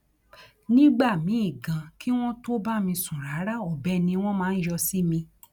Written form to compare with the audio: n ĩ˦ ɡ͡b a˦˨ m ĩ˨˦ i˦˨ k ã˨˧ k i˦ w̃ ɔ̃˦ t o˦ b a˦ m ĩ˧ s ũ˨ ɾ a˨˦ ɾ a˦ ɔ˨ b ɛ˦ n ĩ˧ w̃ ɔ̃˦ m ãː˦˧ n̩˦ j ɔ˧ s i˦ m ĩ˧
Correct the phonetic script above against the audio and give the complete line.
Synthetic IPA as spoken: n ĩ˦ ɡ͡b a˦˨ m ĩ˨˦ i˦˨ ɡ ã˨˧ k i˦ w̃ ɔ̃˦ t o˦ b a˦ m ĩ˧ s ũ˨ ɾ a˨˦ ɾ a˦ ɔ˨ b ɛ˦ n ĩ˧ w̃ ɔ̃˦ m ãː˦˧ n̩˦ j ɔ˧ s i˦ m ĩ˧